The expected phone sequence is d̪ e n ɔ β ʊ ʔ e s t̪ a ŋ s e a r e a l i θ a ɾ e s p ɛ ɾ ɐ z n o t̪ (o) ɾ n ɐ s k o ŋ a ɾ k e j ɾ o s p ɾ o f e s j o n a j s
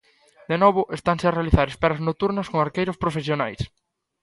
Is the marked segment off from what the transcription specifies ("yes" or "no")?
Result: yes